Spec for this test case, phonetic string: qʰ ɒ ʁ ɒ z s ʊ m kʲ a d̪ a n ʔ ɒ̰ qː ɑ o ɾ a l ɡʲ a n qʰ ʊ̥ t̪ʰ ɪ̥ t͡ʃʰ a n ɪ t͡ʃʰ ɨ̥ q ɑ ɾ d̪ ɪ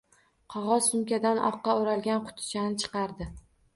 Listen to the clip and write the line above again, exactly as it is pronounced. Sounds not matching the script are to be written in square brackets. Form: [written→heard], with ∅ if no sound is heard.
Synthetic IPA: qʰ ɒ ʁ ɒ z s ʊ m kʲ a d̪ a n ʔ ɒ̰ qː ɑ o ɾ a l ɡʲ a n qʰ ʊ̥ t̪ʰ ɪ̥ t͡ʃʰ a n ɪ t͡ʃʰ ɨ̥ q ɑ ɾ d̪ ɪ